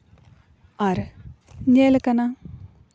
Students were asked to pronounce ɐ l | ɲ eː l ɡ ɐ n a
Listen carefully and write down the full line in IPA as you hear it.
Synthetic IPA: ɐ ɾ | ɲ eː l k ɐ n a